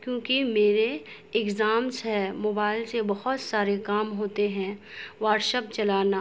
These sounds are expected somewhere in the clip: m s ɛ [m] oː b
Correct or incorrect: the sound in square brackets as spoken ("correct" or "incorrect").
correct